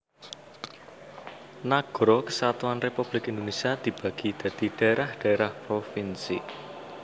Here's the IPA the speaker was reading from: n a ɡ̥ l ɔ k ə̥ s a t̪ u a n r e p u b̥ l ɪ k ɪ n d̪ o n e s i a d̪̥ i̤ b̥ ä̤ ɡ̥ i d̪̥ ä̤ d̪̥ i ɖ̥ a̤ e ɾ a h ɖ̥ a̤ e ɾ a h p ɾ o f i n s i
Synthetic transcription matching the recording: n a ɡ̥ ɾ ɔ k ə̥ s a t̪ u a n r e p u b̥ l ɪ k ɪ n d̪ o n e s i a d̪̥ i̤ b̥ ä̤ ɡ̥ i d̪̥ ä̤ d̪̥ i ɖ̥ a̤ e ɾ a h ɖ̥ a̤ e ɾ a h p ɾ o f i n s i